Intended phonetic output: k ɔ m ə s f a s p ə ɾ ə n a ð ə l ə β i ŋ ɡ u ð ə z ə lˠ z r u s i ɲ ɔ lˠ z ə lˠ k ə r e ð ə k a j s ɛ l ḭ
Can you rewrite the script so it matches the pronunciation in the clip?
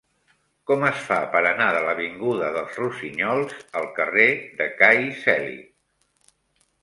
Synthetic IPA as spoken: k ɔ m ə s f a p ə ɾ ə n a ð ə l ə β i ŋ ɡ u ð ə ð ə lˠ z r u s i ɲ ɔ lˠ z ə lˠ k ə r e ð ə k a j s ɛ l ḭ